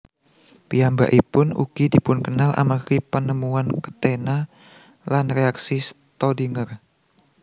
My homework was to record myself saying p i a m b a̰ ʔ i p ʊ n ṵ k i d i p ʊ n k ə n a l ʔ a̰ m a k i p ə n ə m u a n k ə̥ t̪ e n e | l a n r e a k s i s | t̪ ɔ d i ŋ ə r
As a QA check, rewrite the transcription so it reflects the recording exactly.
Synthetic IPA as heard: p i a m b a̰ ʔ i p ʊ n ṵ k i d i p ʊ n k ə n a l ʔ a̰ m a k i p ə n ə m u a n k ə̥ t̪ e n a | l a n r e a k s i s | t̪ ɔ d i ŋ ə r